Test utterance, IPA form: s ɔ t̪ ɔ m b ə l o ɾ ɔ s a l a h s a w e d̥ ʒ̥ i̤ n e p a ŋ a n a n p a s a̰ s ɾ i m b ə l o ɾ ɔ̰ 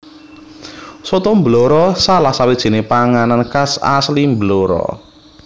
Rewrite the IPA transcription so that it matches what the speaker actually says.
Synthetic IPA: s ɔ t̪ ɔ m b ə l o ɾ ɔ s a l a h s a w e d̥ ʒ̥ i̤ n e p a ŋ a n a n k a s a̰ s l i m b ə l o ɾ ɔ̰

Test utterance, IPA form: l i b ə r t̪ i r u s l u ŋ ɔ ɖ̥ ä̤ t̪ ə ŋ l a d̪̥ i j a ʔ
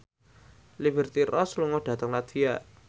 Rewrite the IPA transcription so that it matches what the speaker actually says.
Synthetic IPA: l i b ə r t̪ i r ɔ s l u ŋ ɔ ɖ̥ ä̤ t̪ ə ŋ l a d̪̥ i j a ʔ

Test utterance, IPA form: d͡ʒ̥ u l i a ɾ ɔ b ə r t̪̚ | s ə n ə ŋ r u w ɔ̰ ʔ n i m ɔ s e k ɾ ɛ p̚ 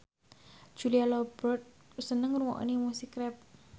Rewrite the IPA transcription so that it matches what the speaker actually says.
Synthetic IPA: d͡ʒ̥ u l i a l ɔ b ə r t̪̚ | s ə n ə ŋ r u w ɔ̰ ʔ n i m u s i k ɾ ɛ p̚

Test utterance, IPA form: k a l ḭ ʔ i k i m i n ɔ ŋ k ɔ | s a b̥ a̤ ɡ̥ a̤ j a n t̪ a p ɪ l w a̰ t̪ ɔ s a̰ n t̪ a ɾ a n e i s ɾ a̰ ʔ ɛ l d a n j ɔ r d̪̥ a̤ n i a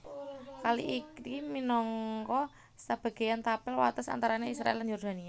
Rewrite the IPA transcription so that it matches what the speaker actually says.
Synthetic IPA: k a l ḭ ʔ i k i m i n ɔ ŋ k ɔ | s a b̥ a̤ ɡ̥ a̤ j a n t̪ a p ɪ l w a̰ t̪ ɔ s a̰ n t̪ a ɾ a n e i s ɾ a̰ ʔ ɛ l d a n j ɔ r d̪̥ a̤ n i a

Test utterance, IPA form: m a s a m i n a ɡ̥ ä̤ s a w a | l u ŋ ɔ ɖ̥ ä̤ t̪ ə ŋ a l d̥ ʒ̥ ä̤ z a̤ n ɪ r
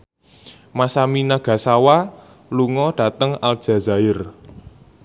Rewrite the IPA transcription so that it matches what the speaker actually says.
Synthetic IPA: m a s a m i n a ɡ̥ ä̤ s a w a | l u ŋ ɔ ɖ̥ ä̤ t̪ ə ŋ a l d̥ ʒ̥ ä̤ z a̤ ɪ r

